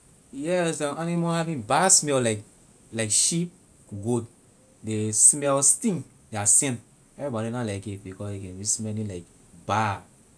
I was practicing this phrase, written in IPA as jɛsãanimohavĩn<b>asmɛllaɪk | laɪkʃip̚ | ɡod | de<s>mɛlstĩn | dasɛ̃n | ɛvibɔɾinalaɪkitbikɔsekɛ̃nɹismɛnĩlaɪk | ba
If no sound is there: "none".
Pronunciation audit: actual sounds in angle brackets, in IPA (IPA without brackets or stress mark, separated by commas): b, s